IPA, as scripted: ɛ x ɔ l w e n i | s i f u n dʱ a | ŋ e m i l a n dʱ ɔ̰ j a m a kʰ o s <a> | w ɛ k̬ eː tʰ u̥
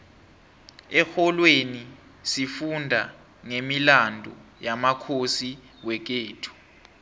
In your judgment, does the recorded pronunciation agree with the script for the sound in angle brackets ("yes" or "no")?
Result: no